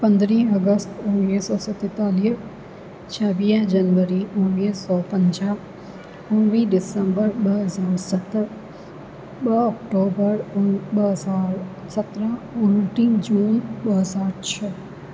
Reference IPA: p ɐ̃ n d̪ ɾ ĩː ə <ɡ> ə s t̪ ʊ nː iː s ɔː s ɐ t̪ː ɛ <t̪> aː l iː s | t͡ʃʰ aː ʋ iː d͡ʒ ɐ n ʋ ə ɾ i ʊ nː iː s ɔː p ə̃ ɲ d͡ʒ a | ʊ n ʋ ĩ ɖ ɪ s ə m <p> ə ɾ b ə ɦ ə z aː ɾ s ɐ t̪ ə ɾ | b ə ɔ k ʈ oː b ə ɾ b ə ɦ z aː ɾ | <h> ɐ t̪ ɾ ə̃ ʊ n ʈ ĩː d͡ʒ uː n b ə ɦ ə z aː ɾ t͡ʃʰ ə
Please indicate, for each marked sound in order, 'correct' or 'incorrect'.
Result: correct, correct, incorrect, incorrect

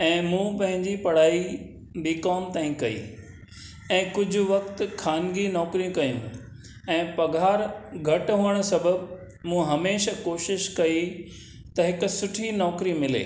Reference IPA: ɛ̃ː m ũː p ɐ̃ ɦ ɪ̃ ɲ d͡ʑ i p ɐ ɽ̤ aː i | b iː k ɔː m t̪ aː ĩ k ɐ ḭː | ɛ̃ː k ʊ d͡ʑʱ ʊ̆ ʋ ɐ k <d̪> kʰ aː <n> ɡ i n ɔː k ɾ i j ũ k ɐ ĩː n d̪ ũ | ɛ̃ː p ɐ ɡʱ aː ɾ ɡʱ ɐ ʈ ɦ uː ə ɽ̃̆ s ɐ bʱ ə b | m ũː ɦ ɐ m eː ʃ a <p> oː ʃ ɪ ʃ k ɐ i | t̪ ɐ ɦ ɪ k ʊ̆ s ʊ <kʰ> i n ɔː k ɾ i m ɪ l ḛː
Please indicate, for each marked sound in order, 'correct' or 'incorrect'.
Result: incorrect, correct, incorrect, incorrect

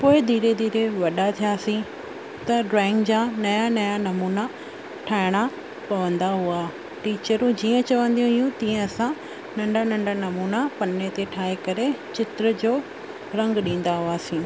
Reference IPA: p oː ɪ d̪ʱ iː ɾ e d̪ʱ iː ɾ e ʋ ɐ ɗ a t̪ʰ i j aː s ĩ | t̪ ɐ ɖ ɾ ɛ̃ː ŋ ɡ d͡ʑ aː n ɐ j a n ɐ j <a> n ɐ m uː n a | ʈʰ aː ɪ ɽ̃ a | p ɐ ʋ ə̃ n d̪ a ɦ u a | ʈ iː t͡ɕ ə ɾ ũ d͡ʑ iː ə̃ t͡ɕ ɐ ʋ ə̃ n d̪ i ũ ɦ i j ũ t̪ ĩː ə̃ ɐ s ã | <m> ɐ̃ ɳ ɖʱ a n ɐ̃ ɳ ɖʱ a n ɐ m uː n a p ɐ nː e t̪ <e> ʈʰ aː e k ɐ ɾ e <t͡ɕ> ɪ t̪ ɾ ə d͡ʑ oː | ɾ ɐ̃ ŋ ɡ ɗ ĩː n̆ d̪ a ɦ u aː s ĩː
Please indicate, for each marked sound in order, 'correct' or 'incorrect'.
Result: correct, incorrect, correct, correct

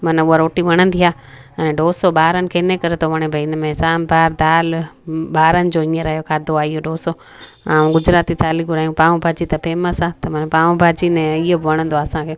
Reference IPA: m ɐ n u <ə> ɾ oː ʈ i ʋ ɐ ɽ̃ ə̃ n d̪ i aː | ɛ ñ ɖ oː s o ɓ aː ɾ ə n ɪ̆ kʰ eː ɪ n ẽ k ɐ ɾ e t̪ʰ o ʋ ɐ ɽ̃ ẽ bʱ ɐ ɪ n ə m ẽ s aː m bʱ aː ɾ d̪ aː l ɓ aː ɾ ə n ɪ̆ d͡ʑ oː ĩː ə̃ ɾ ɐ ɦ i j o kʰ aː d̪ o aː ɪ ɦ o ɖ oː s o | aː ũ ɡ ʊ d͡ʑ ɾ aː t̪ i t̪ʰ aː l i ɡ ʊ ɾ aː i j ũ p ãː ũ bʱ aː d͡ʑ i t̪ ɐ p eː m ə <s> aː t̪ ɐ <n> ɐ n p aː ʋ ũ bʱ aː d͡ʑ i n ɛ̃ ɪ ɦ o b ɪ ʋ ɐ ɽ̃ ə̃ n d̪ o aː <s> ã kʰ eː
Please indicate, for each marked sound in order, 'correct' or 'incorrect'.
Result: incorrect, correct, incorrect, correct

